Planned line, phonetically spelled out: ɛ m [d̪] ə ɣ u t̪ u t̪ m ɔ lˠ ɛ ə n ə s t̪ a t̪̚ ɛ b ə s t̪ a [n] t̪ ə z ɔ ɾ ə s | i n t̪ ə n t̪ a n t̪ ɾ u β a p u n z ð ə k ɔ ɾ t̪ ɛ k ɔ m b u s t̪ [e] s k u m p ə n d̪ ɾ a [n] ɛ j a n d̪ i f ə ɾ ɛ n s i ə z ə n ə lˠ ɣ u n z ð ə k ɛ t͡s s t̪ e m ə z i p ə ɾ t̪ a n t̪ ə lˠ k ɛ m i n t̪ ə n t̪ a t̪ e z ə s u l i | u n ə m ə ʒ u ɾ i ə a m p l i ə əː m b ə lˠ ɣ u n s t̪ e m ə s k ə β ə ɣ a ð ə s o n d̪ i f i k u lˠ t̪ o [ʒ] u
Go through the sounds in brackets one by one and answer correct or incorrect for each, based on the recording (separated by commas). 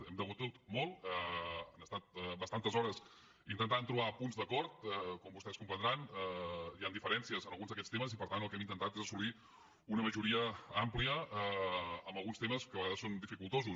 correct, correct, incorrect, correct, incorrect